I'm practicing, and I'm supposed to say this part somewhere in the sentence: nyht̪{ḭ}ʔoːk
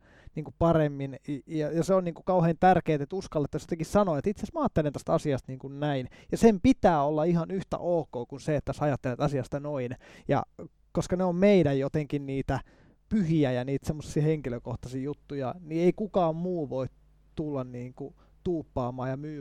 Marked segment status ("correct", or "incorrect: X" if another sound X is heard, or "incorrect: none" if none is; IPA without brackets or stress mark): incorrect: æ̰